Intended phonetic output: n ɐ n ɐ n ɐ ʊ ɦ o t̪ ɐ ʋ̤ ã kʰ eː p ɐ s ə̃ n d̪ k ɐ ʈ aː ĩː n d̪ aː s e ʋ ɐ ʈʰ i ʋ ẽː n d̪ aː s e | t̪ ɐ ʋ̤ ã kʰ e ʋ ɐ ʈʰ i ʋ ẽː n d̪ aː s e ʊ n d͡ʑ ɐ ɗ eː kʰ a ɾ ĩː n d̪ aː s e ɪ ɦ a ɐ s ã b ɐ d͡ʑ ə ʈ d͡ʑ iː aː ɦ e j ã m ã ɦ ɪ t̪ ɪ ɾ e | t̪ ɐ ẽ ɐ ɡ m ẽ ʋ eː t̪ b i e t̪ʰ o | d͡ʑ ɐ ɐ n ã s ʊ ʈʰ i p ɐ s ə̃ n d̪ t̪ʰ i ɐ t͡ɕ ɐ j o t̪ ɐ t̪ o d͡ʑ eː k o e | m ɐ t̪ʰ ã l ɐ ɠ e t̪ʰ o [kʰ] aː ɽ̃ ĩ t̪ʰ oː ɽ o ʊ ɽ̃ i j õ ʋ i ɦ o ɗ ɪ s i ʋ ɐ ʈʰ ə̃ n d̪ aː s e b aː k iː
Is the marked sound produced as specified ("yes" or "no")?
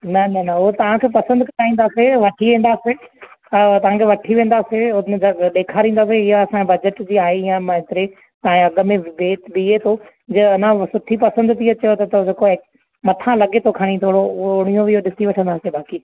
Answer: yes